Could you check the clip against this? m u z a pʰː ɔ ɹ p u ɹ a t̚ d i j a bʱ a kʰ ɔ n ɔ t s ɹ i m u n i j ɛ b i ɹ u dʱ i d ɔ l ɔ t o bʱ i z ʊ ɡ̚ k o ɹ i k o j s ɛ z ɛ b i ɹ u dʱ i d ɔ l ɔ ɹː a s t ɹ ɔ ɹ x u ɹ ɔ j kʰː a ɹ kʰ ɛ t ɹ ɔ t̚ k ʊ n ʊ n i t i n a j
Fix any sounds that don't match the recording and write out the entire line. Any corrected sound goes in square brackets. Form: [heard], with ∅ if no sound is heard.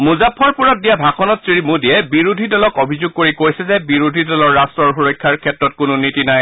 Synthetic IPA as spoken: m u z a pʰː ɔ ɹ p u ɹ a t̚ d i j a bʱ a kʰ ɔ n ɔ t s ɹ i m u [d] i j ɛ b i ɹ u dʱ i d ɔ l ɔ [k] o bʱ i z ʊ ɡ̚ k o ɹ i k o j s ɛ z ɛ b i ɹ u dʱ i d ɔ l ɔ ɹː a s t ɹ ɔ ɹ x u ɹ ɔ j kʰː a ɹ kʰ ɛ t ɹ ɔ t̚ k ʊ n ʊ n i t i n a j

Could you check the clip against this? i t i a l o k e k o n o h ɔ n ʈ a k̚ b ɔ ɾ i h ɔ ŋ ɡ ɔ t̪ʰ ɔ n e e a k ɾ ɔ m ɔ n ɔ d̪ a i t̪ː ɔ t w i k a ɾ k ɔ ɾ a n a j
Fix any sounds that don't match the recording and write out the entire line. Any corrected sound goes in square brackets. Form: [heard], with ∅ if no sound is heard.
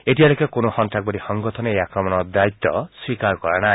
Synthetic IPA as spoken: [e] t i a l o k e k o n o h ɔ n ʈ a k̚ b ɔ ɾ i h ɔ ŋ ɡ ɔ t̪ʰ ɔ n e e a k ɾ ɔ m ɔ n ɔ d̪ a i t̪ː ɔ [s] w i k a ɾ k ɔ ɾ a n a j

